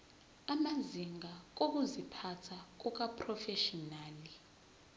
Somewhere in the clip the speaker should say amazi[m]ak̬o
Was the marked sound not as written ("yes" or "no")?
yes